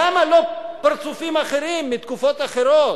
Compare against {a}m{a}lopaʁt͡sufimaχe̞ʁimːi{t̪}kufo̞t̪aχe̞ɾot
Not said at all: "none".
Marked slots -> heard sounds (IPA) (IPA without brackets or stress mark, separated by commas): a, a, t̪